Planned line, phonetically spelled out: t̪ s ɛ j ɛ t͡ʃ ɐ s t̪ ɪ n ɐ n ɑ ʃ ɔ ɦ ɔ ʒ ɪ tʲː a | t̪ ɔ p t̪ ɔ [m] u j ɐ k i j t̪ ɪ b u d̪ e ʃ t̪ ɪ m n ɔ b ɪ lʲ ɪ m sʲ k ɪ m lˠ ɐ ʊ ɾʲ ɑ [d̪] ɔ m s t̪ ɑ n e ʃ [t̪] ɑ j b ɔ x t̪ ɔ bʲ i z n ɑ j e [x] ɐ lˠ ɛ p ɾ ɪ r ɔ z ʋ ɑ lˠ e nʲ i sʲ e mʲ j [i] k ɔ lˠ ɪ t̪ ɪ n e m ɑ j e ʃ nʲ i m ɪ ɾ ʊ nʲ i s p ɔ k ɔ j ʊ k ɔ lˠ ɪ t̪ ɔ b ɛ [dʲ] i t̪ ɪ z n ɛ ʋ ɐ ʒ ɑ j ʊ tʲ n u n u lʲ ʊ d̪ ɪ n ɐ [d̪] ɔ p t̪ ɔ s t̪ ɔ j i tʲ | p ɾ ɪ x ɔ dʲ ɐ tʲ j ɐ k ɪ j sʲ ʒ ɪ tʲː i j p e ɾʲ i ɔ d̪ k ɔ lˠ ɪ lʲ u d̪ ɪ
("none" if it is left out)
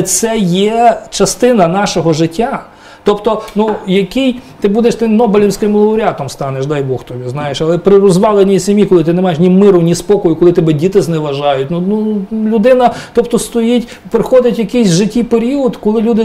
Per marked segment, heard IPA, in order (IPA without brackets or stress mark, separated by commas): n, t̪, d̪, ʃ, i, dʲ, t̪